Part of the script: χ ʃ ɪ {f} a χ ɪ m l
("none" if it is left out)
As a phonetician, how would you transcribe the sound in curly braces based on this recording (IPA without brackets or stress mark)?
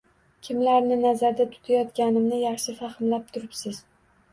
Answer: f